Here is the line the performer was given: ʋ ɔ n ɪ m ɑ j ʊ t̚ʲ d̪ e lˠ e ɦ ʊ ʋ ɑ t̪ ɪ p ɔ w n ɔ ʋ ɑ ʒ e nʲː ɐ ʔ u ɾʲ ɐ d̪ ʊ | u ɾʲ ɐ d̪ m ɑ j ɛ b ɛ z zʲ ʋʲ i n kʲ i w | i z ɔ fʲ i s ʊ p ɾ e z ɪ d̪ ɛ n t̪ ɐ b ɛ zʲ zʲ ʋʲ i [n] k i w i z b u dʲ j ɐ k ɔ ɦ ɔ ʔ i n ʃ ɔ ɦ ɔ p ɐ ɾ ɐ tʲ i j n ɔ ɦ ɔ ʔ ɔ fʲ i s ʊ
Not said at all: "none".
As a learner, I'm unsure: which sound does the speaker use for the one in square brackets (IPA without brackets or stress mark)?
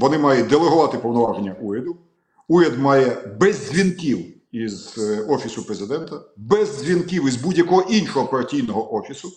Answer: n